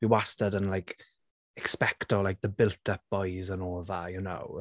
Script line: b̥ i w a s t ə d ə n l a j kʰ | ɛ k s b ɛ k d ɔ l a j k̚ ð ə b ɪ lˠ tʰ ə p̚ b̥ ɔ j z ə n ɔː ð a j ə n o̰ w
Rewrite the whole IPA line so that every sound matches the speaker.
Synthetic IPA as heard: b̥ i w a s t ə d ə n l a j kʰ | ɛ k s p ɛ k t ɔ l a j k̚ ð ə b ɪ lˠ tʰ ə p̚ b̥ ɔ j z ə n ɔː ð a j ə n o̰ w